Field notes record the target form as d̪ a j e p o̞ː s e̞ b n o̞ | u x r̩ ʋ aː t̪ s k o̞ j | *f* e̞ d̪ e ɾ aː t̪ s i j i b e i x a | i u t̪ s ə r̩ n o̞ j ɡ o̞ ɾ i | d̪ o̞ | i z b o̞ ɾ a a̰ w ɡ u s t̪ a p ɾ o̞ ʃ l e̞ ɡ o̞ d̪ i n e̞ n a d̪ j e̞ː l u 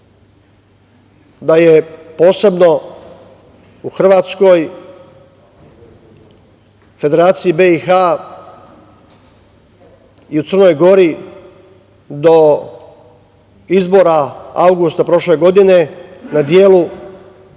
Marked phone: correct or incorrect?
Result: correct